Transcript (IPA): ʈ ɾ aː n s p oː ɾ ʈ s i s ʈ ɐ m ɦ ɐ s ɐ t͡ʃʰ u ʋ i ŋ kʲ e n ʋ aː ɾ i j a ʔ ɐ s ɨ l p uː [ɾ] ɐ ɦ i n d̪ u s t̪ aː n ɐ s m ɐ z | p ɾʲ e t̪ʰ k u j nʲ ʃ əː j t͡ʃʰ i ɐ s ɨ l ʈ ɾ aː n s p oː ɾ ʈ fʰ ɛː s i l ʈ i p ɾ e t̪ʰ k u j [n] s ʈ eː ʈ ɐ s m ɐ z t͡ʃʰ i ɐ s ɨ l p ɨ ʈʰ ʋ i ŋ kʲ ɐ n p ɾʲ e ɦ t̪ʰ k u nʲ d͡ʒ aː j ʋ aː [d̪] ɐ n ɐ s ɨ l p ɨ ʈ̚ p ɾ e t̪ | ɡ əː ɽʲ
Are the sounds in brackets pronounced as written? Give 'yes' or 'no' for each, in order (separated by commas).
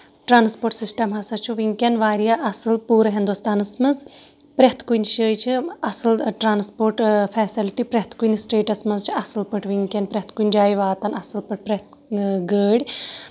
yes, yes, no